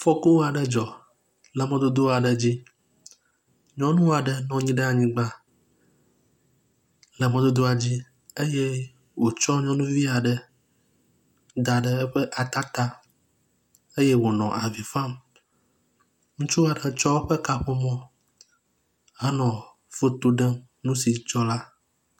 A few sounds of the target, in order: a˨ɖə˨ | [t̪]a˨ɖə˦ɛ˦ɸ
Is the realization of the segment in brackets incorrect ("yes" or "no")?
yes